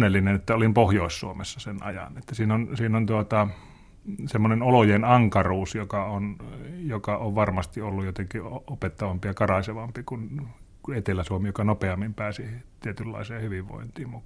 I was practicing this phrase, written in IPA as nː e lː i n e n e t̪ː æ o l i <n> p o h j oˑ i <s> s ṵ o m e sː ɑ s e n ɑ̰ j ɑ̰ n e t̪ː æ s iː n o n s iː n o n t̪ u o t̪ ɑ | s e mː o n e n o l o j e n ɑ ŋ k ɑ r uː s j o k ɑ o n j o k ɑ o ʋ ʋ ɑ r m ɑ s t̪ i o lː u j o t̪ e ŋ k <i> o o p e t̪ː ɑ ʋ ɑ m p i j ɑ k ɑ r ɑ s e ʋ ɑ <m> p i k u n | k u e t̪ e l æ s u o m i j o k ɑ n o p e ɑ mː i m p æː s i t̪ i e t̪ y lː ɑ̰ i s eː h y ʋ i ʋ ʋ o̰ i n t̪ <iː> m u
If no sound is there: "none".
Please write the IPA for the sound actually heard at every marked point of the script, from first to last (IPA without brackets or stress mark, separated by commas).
m, s, i, m, iː